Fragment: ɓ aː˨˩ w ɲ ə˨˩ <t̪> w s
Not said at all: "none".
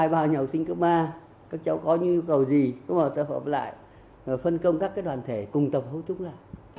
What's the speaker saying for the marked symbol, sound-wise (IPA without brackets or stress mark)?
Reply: none